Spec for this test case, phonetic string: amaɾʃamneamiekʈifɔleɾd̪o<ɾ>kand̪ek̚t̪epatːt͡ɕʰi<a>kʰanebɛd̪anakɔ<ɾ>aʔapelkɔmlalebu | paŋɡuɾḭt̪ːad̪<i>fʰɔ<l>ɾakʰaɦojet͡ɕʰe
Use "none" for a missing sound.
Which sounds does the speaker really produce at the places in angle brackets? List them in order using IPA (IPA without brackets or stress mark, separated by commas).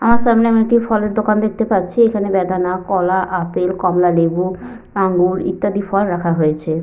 none, e, l, i, l